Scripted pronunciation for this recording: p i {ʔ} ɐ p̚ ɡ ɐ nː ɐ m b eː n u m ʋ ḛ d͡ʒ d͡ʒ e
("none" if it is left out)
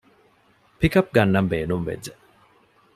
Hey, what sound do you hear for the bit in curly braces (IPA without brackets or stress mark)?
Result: k